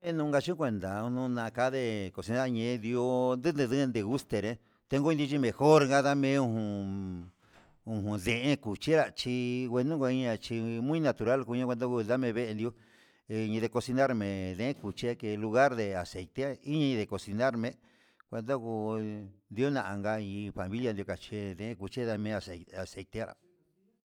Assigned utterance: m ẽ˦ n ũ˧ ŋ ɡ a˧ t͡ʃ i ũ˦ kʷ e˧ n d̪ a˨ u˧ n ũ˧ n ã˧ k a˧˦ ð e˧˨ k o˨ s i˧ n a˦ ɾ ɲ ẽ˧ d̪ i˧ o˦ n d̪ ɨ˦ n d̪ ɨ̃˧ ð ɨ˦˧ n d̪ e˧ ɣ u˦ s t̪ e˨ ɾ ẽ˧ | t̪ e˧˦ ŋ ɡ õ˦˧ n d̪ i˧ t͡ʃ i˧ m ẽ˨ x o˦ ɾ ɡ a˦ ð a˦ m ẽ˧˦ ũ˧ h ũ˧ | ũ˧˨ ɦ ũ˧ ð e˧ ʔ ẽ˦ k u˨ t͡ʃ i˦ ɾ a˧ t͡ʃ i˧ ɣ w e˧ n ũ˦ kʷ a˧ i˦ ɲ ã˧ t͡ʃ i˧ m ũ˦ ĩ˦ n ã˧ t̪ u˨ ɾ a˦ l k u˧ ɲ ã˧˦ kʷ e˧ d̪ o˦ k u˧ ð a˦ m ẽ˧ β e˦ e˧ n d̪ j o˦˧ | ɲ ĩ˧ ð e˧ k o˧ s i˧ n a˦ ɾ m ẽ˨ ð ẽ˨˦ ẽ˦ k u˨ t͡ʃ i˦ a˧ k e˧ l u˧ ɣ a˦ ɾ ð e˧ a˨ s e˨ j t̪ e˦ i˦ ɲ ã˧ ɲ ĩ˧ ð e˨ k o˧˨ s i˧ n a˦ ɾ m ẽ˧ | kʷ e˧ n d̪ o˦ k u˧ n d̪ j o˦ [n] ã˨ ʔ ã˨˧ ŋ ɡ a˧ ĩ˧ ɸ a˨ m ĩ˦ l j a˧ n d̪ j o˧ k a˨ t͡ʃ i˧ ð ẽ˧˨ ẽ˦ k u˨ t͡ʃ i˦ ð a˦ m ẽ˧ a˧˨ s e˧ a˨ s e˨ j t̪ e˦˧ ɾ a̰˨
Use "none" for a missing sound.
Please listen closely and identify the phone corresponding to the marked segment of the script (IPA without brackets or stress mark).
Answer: n